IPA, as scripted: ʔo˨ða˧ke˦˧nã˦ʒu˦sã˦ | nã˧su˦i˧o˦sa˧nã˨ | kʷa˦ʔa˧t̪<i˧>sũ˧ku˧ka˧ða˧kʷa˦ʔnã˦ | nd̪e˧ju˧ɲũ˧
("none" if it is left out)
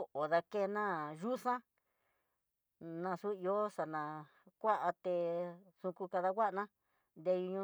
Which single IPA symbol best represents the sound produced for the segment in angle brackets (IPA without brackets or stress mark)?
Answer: e˧